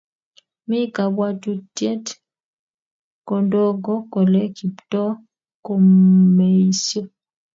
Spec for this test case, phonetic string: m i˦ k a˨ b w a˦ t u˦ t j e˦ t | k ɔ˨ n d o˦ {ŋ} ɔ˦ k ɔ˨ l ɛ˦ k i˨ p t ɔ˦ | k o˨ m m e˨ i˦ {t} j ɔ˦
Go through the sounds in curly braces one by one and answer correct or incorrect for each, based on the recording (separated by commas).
incorrect, incorrect